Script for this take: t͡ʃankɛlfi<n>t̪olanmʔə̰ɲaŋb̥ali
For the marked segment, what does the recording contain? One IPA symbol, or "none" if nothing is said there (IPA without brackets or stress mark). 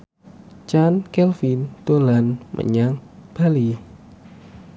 n